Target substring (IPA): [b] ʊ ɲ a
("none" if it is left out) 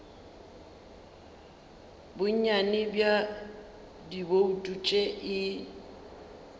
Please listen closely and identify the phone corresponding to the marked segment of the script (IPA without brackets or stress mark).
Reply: b